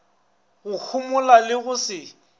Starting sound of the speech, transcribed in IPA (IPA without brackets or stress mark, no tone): ɣ